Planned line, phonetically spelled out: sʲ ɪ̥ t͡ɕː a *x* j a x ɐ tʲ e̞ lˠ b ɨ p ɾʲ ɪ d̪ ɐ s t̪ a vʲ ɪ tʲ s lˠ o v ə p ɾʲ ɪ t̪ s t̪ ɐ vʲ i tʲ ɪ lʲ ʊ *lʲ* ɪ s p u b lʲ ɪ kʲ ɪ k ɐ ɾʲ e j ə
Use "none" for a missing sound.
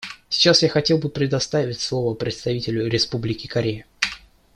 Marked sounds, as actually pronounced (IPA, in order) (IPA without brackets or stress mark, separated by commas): s, ɾʲ